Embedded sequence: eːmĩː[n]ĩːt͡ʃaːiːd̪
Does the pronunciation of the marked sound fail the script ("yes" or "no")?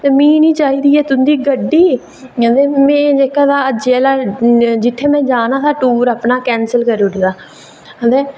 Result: no